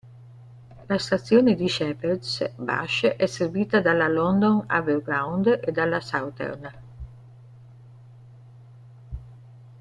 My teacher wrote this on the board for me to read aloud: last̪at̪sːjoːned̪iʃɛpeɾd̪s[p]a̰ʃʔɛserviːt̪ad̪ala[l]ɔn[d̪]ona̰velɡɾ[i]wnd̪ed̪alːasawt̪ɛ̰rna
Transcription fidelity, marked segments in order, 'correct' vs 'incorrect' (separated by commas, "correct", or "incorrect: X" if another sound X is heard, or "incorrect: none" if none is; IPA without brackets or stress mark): incorrect: b, correct, correct, incorrect: a